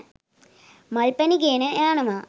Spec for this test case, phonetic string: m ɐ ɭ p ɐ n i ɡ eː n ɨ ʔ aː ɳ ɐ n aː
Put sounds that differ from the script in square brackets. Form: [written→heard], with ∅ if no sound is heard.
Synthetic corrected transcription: m ɐ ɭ p ɐ n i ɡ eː n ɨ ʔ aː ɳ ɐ [n→m] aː